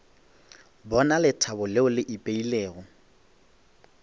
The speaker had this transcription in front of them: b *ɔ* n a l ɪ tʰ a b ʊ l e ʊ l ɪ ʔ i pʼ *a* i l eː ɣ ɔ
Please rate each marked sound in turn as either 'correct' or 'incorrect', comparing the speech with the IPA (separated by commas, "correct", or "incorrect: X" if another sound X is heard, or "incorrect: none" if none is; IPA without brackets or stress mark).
correct, incorrect: e